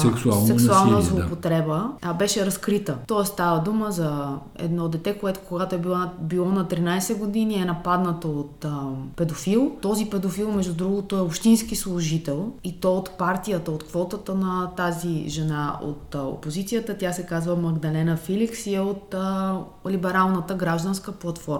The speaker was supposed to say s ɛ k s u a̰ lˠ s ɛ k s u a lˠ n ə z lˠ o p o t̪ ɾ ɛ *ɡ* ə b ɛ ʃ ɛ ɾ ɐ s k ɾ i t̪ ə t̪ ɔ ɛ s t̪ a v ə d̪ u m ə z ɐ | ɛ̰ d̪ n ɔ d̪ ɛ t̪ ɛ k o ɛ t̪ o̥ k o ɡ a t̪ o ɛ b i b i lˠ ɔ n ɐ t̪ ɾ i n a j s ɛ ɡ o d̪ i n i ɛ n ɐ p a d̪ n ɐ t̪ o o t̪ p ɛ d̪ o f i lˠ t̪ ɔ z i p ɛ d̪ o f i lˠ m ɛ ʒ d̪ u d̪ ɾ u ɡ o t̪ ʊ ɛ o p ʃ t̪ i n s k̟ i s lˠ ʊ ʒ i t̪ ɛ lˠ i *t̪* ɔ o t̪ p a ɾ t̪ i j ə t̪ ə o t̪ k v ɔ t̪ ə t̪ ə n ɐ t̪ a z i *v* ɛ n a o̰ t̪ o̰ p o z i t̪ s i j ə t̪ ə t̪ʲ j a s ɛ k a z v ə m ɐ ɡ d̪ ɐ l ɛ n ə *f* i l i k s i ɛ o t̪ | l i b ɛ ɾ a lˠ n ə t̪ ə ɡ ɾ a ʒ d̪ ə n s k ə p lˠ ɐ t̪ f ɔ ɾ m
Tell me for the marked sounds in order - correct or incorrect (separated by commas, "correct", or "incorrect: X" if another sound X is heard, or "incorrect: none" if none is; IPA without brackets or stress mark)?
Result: incorrect: b, correct, incorrect: ʒ, correct